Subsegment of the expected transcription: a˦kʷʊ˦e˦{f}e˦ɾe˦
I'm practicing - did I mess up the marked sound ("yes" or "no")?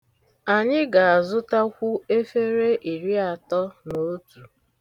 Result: no